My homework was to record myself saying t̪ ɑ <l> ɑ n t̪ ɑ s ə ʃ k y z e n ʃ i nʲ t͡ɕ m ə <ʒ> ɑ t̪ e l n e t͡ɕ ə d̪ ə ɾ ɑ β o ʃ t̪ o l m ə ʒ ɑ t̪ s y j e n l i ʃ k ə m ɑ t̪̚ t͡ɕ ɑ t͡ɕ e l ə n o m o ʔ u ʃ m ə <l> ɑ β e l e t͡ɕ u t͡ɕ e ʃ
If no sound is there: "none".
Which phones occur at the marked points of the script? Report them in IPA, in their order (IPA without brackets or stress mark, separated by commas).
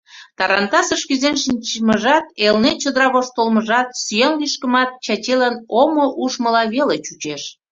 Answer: ɾ, ʒ, l